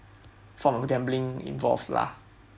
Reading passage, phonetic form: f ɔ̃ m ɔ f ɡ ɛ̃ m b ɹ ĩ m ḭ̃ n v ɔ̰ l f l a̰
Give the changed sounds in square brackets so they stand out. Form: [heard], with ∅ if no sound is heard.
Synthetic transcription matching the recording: f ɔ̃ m ɔ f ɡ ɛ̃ m b [l] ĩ [ŋ] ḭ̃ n v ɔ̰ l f l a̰